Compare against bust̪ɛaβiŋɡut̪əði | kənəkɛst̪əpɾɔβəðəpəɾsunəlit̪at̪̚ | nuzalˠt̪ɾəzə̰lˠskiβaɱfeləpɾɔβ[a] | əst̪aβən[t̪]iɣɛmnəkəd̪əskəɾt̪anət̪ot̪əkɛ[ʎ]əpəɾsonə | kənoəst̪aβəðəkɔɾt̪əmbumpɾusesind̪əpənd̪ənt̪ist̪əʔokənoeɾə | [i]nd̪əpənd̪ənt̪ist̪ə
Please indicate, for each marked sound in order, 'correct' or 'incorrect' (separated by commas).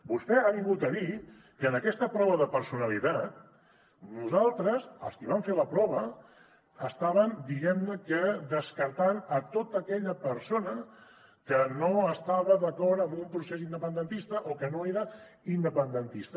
incorrect, incorrect, correct, correct